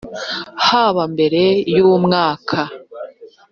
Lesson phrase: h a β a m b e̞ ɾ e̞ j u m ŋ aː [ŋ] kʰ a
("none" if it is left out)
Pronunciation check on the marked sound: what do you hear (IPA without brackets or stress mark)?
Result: none